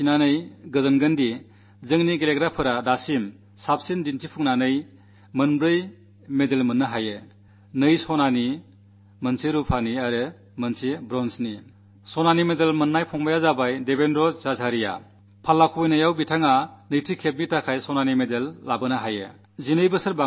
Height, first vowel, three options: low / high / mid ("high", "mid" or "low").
high